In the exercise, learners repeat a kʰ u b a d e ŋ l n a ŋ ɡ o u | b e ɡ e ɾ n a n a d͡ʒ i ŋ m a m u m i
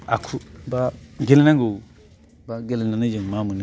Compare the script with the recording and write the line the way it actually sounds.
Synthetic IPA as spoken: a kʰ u b a ɡ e l n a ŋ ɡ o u | b a ɡ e l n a n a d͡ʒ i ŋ m a m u n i

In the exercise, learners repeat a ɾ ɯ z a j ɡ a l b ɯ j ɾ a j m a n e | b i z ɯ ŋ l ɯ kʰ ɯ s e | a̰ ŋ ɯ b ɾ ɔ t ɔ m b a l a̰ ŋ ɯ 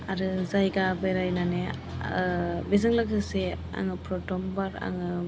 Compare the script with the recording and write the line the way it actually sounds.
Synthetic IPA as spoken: a ɾ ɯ z a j ɡ a b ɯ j ɾ a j n a n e | b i z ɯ ŋ l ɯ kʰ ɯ s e | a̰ ŋ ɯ p ɾ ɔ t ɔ m b a ɾ a̰ ŋ ɯ

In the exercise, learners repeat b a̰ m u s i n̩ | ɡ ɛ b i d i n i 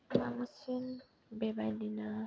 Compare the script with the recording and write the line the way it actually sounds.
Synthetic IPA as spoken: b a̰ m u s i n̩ | b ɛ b a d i n a

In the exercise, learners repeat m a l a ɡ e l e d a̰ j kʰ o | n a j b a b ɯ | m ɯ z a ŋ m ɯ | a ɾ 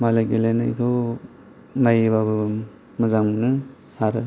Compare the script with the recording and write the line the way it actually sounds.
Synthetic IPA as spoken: m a l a ɡ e l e n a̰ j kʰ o | n a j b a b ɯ | m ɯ z a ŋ n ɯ | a ɾ

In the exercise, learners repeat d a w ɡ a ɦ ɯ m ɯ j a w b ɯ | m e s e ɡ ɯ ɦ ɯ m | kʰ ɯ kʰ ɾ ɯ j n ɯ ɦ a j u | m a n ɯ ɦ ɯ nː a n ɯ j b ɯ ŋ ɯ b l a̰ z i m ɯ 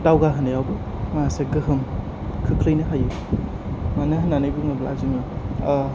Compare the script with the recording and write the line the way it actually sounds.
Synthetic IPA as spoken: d a w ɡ a ɦ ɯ n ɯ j a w b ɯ | m a s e ɡ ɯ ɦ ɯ m | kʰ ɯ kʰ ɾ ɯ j n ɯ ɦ a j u | m a n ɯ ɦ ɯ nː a n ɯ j b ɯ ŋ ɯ b l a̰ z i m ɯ

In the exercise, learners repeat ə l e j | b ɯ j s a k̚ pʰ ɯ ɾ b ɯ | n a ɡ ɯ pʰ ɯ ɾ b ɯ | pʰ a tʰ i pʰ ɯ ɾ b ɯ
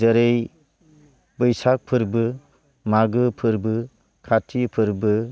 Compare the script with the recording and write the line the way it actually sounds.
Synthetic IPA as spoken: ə ɾ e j | b ɯ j s a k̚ pʰ ɯ ɾ b ɯ | m a ɡ ɯ pʰ ɯ ɾ b ɯ | kʰ a tʰ i pʰ ɯ ɾ b ɯ

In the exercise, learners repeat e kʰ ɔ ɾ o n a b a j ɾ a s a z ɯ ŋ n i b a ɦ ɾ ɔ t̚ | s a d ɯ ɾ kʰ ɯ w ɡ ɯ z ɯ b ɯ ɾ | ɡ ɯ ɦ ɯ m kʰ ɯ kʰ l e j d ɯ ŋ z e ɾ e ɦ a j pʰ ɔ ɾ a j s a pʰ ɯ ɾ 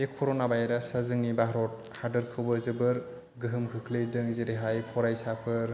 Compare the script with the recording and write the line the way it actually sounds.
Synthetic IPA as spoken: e kʰ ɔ ɾ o n a b a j ɾ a s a z ɯ ŋ n i b a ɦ ɾ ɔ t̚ | h a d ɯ ɾ kʰ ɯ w b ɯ z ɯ b ɯ ɾ | ɡ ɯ ɦ ɯ m kʰ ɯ kʰ l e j d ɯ ŋ z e ɾ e ɦ a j pʰ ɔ ɾ a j s a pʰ ɯ ɾ

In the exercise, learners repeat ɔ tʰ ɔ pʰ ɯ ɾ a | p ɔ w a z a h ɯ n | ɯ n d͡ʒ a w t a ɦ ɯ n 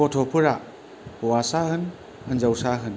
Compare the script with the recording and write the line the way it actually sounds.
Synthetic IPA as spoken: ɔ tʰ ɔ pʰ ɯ ɾ a | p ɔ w a s a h ɯ n | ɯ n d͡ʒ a w s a ɦ ɯ n

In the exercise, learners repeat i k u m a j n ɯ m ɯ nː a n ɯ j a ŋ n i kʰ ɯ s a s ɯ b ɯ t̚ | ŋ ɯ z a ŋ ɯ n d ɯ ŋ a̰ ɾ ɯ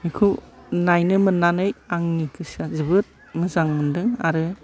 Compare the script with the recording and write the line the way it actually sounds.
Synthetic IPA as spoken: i kʰ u n a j n ɯ m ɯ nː a n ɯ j a ŋ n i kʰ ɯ s a z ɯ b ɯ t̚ | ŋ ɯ z a ŋ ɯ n d ɯ ŋ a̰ ɾ ɯ

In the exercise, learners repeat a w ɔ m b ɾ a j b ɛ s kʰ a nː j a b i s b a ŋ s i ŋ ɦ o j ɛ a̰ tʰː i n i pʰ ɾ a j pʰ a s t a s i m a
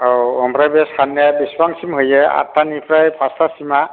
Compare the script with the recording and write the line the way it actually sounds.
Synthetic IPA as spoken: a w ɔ m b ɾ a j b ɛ s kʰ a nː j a b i s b a ŋ s i m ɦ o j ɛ a̰ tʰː a n i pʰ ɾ a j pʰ a s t a s i m a

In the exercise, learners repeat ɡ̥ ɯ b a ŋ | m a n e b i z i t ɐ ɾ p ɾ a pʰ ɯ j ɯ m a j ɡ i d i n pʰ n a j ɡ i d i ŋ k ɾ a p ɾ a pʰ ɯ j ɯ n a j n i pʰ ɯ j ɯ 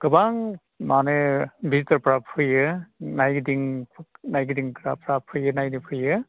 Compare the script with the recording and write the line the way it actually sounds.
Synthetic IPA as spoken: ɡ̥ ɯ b a ŋ | m a n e b i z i t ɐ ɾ p ɾ a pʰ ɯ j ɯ n a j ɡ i d i ŋ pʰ n a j ɡ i d i ŋ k ɾ a p ɾ a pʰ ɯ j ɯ n a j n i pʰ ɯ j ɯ

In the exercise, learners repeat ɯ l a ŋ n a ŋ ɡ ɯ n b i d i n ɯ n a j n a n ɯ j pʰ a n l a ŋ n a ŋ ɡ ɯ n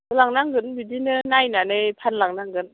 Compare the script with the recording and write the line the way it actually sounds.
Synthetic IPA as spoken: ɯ l a ŋ n a ŋ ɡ ɯ n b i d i n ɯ n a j n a n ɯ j pʰ a n l a ŋ n a ŋ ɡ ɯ n

